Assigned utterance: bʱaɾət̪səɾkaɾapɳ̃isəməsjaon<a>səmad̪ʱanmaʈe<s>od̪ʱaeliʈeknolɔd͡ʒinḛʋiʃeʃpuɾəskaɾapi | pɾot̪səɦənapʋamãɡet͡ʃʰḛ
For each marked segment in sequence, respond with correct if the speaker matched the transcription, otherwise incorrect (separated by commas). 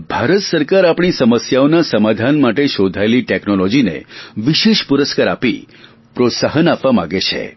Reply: correct, incorrect